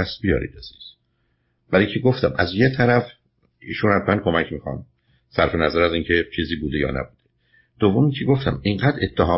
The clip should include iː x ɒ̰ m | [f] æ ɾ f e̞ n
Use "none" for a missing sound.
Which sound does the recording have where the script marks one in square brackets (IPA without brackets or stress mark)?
s